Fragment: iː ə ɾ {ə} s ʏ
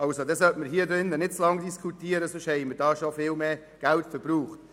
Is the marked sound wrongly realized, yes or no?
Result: no